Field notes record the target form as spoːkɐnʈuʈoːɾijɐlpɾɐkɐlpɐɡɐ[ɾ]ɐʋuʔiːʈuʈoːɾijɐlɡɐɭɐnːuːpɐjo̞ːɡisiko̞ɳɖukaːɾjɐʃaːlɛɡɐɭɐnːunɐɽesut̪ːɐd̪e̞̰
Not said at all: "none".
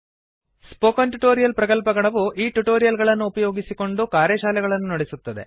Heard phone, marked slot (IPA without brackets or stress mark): ɭ